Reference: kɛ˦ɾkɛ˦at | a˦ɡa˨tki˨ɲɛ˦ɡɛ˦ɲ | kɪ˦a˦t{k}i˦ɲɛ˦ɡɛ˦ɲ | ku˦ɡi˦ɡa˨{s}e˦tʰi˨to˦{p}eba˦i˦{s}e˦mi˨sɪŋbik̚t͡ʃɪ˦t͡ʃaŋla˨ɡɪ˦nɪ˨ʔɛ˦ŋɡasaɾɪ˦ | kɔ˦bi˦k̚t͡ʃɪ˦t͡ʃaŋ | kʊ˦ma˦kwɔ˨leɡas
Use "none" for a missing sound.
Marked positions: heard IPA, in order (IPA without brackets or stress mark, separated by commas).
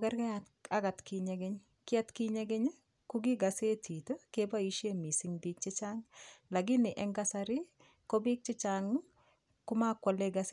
k, s, k, ʃ